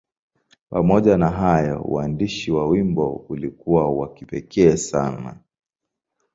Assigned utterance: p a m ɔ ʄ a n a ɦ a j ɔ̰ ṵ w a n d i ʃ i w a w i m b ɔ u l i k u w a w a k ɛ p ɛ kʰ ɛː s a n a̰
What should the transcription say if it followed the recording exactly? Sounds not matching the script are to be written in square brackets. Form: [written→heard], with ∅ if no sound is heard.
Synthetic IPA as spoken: p a m ɔ ʄ a n a ɦ a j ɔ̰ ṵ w a n d i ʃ i w a w i m b ɔ u l i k u w a w a k [ɛ→i] p ɛ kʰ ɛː s a n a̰